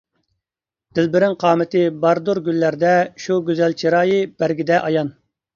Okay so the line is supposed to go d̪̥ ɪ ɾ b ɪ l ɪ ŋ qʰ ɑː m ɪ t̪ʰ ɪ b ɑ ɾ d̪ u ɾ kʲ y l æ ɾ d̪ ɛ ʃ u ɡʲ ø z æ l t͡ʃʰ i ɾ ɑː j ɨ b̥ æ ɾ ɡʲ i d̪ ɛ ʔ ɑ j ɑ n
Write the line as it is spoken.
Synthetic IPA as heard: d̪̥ ɪ l b ɪ ɾ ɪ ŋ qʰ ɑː m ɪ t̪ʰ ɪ b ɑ ɾ d̪ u ɾ ɡʲ y lː æ ɾ d̪ ɛ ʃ u ɡʲ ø z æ l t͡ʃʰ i ɾ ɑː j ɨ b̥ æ ɾ ɡʲ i d̪ ɛ ʔ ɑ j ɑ n